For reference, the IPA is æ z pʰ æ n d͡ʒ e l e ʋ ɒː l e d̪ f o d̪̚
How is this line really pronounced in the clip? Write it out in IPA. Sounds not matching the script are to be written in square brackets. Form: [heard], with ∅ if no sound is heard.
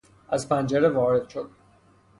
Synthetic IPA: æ z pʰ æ n d͡ʒ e [ɾ] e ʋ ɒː [ɾ] e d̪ [ʃ] o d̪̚